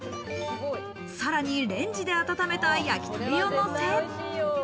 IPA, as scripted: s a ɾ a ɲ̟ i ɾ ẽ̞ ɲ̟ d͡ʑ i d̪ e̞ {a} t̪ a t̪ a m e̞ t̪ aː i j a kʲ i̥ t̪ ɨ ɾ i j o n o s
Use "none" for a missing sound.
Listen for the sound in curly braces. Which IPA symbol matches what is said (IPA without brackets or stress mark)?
a